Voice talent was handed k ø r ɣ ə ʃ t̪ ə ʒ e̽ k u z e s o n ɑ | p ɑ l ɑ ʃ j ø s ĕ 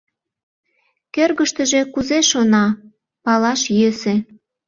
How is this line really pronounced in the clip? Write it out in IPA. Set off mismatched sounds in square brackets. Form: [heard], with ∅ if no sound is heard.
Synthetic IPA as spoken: k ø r ɣ ə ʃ t̪ ə ʒ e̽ k u z e [ʃ] o n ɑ | p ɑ l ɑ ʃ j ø s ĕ